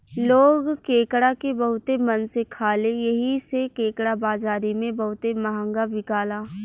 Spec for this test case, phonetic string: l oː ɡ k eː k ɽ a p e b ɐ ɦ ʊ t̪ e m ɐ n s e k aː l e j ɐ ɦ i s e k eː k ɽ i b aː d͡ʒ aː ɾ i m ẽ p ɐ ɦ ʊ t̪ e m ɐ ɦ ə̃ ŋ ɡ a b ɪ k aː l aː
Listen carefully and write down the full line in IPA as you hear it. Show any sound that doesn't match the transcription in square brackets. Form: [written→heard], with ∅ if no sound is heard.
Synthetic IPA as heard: l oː ɡ k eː k ɽ a [p→k] e b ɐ ɦ ʊ t̪ e m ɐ n s e [k→kʰ] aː l e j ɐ ɦ i s e k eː k ɽ [i→a] b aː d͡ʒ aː ɾ i m ẽ [p→b] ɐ ɦ ʊ t̪ e m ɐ ɦ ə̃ ŋ ɡ a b ɪ k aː l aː